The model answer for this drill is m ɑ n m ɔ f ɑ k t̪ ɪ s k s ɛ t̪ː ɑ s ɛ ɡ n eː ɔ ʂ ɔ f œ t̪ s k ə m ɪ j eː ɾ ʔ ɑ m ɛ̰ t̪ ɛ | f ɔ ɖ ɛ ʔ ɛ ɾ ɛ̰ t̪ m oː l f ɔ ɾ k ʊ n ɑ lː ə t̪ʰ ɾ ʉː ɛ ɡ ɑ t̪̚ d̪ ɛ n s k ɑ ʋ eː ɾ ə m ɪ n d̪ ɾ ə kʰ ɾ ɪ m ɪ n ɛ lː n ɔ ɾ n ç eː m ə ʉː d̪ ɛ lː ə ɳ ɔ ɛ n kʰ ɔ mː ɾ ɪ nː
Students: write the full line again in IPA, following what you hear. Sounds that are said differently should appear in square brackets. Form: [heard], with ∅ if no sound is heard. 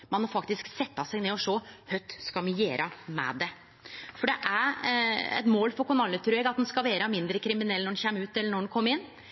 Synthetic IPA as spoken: m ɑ n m ɔ f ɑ k t̪ ɪ s k s ɛ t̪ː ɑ s ɛ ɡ n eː ɔ ʂ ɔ [h] œ t̪ s k [ɑ] m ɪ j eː ɾ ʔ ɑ m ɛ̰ [d̪] ɛ | f ɔ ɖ ɛ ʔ [æ] ɾ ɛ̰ t̪ m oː l f ɔ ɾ k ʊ n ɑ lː ə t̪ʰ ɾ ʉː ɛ ɡ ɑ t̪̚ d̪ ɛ n s k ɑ ʋ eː ɾ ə m ɪ n d̪ ɾ ə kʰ ɾ ɪ m ɪ n ɛ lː n ɔ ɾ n ç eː m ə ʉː [t̪] ɛ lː ə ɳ ɔ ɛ n kʰ ɔ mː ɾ ɪ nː